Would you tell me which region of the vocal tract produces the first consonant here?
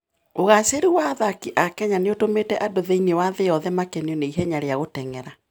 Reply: velum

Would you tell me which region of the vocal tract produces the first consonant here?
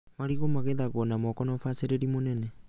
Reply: lips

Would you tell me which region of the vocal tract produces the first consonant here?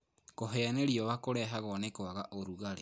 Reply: velum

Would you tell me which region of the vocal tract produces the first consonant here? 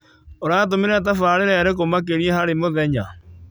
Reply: tongue tip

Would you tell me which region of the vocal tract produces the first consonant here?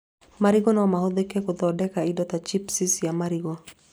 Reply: lips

